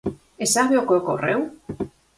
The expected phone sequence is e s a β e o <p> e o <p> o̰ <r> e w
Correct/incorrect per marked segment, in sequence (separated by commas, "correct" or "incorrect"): incorrect, incorrect, correct